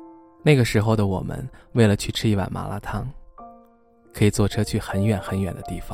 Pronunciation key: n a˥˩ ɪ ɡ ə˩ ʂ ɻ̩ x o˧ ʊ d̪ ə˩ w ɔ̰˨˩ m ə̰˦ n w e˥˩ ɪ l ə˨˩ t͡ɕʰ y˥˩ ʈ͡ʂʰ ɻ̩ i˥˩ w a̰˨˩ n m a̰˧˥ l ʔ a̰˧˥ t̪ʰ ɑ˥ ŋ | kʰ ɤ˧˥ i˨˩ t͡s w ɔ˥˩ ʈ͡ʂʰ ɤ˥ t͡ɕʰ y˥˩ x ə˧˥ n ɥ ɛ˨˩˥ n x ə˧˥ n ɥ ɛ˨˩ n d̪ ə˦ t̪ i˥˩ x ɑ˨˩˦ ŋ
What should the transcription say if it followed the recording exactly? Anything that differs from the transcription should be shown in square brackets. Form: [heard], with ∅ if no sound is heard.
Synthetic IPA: n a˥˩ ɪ ɡ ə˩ ʂ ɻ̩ x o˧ ʊ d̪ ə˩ w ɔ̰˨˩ m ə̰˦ n w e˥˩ ɪ l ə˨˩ t͡ɕʰ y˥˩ ʈ͡ʂʰ ɻ̩ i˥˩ w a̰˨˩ n m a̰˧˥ l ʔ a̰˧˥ t̪ʰ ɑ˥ ŋ | kʰ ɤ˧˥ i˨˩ t͡s w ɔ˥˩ ʈ͡ʂʰ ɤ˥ t͡ɕʰ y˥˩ x ə˧˥ n ɥ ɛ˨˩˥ n x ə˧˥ n ɥ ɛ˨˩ n d̪ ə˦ t̪ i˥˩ [f] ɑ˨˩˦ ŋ